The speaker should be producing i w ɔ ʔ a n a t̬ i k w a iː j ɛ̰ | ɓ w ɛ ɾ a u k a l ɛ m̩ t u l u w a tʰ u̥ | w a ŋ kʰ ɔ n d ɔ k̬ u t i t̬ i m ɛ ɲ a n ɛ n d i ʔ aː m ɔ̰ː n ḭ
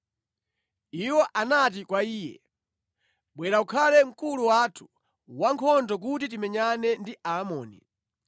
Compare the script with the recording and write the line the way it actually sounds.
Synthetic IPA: i w ɔ ʔ a n a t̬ i k w a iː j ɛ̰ | ɓ w ɛ ɾ a u kʰ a l ɛ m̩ k u l u w a tʰ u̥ | w a ŋ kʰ ɔ n d ɔ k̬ u t i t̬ i m ɛ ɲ a n ɛ n d i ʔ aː m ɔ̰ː n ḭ